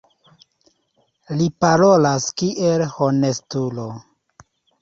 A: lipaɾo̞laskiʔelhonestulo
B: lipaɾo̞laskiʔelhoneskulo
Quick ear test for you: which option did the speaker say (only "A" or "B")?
A